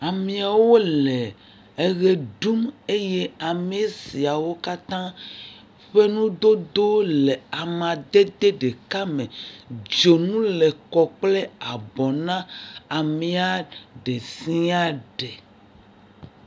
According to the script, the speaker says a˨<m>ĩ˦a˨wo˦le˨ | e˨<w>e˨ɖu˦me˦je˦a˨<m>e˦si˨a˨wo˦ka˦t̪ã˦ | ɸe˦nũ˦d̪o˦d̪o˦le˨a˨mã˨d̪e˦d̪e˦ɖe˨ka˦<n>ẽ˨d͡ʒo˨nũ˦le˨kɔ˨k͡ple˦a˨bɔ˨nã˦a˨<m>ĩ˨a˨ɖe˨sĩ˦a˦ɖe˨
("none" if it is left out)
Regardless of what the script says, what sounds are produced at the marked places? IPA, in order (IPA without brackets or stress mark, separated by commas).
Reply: m, ɣ, m, m, m